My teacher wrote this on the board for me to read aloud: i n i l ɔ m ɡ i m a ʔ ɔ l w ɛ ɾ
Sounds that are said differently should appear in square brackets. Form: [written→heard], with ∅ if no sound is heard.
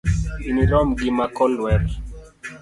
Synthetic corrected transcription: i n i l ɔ m ɡ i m a [ʔ→k] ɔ l w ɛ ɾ